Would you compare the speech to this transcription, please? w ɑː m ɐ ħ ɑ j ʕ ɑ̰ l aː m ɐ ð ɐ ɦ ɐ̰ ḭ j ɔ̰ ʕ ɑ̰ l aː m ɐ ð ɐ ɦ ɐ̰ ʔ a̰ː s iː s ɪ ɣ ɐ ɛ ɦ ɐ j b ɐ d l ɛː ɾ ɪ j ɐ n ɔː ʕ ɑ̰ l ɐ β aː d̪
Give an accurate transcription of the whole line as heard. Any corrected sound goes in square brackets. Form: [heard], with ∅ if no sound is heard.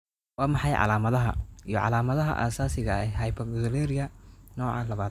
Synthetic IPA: w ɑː m [ɑ] ħ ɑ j ʕ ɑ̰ l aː m ɐ ð ɐ ɦ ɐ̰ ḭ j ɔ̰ ʕ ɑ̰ l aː m ɐ ð ɐ ɦ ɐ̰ ʔ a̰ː s [aː] s ɪ ɣ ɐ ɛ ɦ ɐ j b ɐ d l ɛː ɾ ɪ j ɐ n ɔː ʕ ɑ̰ l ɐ β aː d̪